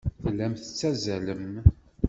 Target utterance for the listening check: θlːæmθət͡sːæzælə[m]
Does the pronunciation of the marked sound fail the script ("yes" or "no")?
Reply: no